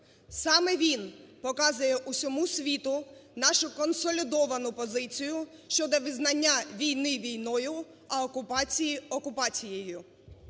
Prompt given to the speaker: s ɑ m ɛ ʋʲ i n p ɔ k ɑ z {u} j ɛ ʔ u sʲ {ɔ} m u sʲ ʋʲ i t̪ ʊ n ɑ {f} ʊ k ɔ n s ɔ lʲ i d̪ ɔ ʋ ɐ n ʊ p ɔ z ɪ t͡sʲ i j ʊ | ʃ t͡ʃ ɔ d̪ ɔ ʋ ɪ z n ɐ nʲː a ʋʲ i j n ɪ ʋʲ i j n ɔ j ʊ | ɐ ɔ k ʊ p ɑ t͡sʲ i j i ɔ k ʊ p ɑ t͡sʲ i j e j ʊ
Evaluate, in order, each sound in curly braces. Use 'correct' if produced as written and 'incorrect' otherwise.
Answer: incorrect: ʊ, correct, incorrect: ʃ

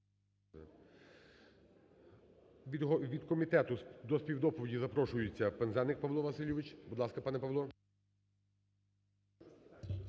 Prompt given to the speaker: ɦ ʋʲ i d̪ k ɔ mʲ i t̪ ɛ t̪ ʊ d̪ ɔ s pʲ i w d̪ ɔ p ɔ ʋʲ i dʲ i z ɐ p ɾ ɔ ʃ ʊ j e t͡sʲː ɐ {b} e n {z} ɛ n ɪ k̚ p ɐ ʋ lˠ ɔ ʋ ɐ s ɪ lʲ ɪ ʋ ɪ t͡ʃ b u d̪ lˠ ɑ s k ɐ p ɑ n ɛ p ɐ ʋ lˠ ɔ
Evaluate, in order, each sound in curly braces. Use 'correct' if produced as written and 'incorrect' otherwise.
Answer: incorrect: p, correct

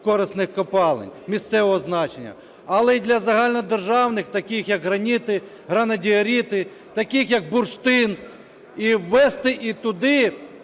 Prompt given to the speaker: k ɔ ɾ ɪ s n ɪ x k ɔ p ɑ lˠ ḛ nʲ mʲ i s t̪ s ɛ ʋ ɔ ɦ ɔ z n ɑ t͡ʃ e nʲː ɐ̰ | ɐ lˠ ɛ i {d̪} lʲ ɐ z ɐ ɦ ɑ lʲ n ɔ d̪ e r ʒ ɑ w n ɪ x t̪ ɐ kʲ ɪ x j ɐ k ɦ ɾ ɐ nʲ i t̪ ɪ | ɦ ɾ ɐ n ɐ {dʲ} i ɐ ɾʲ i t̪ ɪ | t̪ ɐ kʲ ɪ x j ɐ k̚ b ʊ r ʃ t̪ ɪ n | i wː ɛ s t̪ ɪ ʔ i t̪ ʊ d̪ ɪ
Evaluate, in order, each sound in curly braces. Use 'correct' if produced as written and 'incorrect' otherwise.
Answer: correct, correct

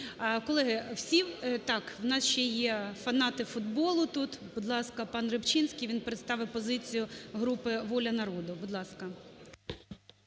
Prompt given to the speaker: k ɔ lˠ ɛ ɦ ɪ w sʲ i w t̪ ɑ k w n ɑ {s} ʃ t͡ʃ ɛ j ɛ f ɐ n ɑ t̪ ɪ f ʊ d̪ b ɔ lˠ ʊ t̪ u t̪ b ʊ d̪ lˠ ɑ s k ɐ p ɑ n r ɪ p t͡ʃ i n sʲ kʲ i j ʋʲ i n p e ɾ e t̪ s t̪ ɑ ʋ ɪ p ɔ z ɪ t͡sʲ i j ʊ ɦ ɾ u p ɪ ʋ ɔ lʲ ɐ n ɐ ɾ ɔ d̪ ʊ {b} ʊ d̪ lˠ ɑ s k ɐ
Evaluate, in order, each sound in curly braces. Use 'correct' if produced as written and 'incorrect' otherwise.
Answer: correct, correct

